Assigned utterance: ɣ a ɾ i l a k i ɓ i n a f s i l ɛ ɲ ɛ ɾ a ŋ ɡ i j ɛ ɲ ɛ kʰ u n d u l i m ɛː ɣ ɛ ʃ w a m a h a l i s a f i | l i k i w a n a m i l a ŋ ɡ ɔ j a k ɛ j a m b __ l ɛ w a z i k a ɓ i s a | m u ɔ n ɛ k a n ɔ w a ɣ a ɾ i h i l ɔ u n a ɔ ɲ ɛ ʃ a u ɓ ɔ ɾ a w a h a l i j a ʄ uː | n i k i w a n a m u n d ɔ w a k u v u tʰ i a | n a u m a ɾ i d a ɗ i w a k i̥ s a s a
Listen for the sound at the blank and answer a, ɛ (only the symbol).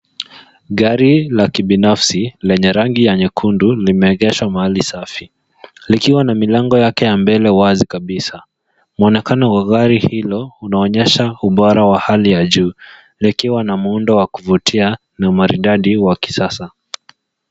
ɛ